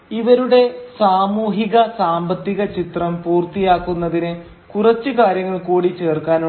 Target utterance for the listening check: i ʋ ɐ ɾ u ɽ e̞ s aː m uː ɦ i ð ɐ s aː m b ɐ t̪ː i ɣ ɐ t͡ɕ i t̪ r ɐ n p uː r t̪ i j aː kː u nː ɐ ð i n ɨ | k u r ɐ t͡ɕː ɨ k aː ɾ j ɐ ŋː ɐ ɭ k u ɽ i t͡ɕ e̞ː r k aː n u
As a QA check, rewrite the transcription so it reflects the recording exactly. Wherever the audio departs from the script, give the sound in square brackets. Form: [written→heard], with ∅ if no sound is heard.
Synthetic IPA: i ʋ ɐ ɾ u ɽ e̞ s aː m uː ɦ i [ð→ɣ] ɐ s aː m b ɐ t̪ː i ɣ ɐ t͡ɕ i t̪ r ɐ [n→m] p uː r t̪ i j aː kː u nː ɐ ð i n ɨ | k u r ɐ t͡ɕː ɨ k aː ɾ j ɐ ŋː ɐ ɭ k [u→uː] ɽ i t͡ɕ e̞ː r k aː n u

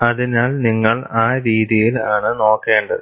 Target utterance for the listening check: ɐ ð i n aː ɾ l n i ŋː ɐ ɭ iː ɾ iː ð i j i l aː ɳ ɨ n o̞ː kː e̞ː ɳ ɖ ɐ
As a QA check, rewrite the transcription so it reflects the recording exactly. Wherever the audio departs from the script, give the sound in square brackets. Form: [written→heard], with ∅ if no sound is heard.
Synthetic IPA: ɐ ð i n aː [ɾ→∅] l n i ŋː ɐ ɭ [iː→aː] ɾ iː ð i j i l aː ɳ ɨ n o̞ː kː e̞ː ɳ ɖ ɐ

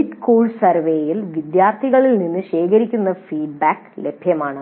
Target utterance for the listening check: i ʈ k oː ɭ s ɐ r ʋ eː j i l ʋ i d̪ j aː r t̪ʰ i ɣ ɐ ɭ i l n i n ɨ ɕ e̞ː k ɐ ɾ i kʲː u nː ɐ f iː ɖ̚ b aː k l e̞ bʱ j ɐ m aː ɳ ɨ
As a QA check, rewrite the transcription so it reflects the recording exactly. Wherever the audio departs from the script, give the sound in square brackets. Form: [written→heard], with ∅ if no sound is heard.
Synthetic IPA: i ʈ k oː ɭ s ɐ r ʋ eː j i l ʋ i d̪ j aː r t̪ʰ i ɣ ɐ ɭ i l n i [n→nː] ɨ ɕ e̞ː k ɐ ɾ i kʲː u nː ɐ f iː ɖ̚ b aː k l e̞ bʱ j ɐ m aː ɳ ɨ

